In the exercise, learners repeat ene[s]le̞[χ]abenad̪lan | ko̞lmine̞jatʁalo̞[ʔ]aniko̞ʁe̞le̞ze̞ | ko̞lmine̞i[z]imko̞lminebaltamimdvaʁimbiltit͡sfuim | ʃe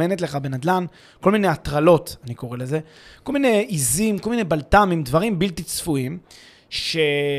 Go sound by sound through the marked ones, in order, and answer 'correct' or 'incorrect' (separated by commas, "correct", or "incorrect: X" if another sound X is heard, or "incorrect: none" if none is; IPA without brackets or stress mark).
incorrect: t, correct, incorrect: t, correct